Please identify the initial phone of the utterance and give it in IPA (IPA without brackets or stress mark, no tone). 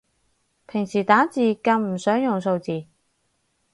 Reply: pʰ